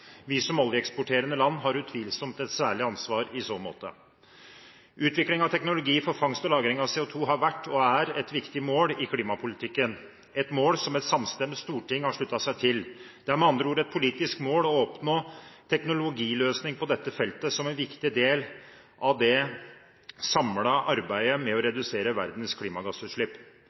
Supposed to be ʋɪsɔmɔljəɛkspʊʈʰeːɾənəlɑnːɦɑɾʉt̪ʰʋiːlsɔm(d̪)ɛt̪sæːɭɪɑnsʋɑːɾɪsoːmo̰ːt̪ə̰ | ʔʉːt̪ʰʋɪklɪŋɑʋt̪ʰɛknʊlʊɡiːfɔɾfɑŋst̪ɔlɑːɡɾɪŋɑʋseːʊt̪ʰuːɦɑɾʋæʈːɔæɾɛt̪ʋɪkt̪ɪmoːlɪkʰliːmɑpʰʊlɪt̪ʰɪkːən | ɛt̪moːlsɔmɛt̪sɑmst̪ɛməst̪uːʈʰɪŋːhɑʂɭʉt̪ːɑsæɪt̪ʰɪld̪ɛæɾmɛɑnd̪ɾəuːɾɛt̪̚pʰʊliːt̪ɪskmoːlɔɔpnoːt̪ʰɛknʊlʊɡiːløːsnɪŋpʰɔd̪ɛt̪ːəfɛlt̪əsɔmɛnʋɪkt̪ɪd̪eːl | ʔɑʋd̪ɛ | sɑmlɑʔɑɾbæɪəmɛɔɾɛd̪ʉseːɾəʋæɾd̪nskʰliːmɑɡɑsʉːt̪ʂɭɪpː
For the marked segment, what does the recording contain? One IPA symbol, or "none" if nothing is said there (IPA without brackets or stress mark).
t̪